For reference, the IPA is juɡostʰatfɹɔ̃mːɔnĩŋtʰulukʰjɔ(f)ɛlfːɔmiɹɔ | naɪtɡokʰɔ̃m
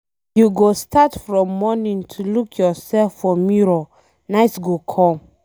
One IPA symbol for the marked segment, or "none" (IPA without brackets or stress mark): s